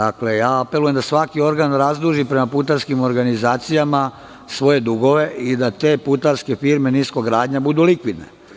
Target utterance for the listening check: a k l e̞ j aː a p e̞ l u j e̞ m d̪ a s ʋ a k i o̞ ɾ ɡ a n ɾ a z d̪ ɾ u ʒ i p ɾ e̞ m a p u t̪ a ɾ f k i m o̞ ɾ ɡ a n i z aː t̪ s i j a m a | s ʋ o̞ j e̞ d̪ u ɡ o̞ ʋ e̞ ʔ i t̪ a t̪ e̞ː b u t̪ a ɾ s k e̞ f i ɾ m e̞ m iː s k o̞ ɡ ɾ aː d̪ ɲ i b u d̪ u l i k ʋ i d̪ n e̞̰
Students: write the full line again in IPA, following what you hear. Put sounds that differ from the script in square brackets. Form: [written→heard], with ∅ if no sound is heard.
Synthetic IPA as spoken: a k l e̞ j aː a p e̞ l u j e̞ m d̪ a s ʋ a k i o̞ ɾ ɡ a n ɾ a z d̪ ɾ u ʒ i p ɾ e̞ m a p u t̪ a ɾ [f→s] k i m o̞ ɾ ɡ a n i z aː t̪ s i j a m a | s ʋ o̞ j e̞ d̪ u ɡ o̞ ʋ e̞ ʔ i [t̪→d̪] a t̪ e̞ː [b→p] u t̪ a ɾ s k e̞ f i ɾ m e̞ [m→n] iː s k o̞ ɡ ɾ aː d̪ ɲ [i→a] b u d̪ u l i k ʋ i d̪ n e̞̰

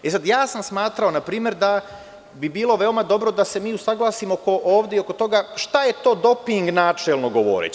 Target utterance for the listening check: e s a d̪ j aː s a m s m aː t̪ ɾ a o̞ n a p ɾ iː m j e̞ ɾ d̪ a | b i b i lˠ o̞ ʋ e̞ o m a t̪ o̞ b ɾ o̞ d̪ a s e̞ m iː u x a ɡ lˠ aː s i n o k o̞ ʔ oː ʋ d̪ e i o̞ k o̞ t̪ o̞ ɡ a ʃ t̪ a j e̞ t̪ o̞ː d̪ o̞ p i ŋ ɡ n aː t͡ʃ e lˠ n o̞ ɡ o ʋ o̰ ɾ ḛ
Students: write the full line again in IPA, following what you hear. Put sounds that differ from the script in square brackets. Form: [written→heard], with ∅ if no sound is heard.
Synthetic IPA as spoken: e s a d̪ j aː s a m s m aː t̪ ɾ a o̞ n a p ɾ iː m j e̞ ɾ d̪ a | b i b [i→iː] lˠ o̞ ʋ e̞ o m a [t̪→d̪] o̞ b ɾ o̞ d̪ a s e̞ m iː u [x→s] a ɡ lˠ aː s i [n→m] o k o̞ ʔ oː ʋ d̪ e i o̞ k o̞ t̪ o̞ ɡ a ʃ t̪ a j e̞ t̪ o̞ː d̪ o̞ p i ŋ ɡ n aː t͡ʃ e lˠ n o̞ ɡ o ʋ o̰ ɾ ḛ

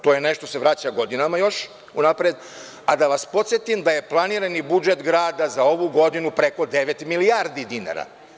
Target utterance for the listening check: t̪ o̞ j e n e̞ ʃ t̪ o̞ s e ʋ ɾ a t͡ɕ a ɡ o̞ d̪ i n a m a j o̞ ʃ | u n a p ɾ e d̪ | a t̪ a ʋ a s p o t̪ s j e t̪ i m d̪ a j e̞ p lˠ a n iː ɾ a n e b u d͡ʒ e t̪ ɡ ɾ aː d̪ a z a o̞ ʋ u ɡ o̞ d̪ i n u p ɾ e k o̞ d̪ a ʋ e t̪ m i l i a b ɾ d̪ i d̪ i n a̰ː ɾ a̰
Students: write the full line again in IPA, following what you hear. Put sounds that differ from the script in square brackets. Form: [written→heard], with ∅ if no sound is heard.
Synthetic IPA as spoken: t̪ o̞ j e n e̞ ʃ t̪ o̞ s e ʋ ɾ a t͡ɕ a ɡ o̞ d̪ i n a m a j o̞ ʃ | u n a p ɾ e d̪ | a [t̪→d̪] a ʋ a s p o t̪ s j e t̪ i m d̪ a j e̞ p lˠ a n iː ɾ a n [e→i] b u d͡ʒ e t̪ ɡ ɾ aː d̪ a z a o̞ ʋ u ɡ o̞ d̪ i n u p ɾ e k o̞ d̪ [a→e] ʋ e t̪ m i l i a [b→∅] ɾ d̪ i d̪ i n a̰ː ɾ a̰

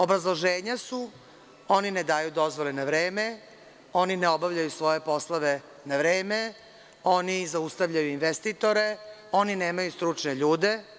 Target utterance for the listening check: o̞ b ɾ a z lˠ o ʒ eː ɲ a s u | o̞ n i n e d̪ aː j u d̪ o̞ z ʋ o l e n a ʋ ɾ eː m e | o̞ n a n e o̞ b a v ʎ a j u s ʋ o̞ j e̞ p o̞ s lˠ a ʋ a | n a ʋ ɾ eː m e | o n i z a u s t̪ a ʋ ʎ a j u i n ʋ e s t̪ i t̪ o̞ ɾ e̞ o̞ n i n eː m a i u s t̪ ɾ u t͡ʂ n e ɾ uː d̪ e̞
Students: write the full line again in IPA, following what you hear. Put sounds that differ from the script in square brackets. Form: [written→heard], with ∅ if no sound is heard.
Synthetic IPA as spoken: o̞ b ɾ a z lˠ o ʒ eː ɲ a s u | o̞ n i n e d̪ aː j u d̪ o̞ z ʋ o l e n a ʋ ɾ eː m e | o̞ n [a→i] n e o̞ b a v ʎ a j u s ʋ o̞ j e̞ p o̞ s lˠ a ʋ [a→e] | n a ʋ ɾ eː m e | o n i z a u s t̪ a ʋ ʎ a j u i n ʋ e s t̪ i t̪ o̞ ɾ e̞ o̞ n i n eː m a [i→j] u s t̪ ɾ u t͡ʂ n e [ɾ→ʎ] uː d̪ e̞

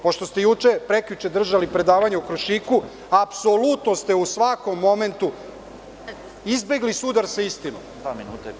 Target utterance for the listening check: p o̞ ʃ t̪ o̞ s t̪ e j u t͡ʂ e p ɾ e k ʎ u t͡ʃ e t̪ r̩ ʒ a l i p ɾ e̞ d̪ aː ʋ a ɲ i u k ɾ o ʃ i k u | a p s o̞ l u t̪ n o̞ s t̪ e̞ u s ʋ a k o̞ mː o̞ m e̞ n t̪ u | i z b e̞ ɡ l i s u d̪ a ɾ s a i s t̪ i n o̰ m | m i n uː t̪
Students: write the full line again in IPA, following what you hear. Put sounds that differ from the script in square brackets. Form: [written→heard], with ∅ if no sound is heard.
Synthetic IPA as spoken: p o̞ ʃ t̪ o̞ s t̪ e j u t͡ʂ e p ɾ e k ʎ u t͡ʃ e [t̪→d̪] r̩ ʒ a l i p ɾ e̞ d̪ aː ʋ a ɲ [i→e] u k ɾ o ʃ i k u | a p s o̞ l u t̪ n o̞ s t̪ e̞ u s ʋ a k o̞ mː o̞ m e̞ n t̪ u | i z b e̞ ɡ l i s u d̪ a ɾ s a i s t̪ i n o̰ m | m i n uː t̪

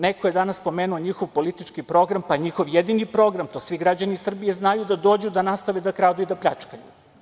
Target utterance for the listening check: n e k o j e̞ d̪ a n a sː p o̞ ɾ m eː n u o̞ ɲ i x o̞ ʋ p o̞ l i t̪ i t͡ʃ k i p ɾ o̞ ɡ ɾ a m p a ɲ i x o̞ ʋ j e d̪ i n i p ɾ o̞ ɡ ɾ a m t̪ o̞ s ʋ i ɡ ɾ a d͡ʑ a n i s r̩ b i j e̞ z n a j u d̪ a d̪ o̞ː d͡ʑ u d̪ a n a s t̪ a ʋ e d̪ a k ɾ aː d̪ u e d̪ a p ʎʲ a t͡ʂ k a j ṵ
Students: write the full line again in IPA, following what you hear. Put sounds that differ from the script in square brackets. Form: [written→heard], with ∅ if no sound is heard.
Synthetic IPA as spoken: n e k o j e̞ d̪ a n a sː p o̞ [ɾ→∅] m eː n u o̞ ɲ i x o̞ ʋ p o̞ l i t̪ i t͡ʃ k i p ɾ o̞ ɡ ɾ a m p a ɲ i x o̞ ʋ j e d̪ i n i p ɾ o̞ ɡ ɾ a m t̪ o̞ s ʋ i ɡ ɾ a d͡ʑ a n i s r̩ b i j e̞ z n a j u d̪ a d̪ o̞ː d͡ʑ u d̪ a n a s t̪ a ʋ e d̪ a k ɾ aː d̪ u [e→i] d̪ a p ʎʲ a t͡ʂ k a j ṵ

